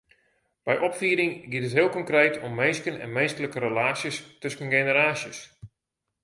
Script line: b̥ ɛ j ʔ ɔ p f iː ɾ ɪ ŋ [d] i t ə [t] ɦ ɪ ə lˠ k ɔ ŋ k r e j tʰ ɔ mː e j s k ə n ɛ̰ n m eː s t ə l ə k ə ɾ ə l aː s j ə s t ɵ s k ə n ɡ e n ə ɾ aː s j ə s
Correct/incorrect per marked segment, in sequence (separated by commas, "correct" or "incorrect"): incorrect, correct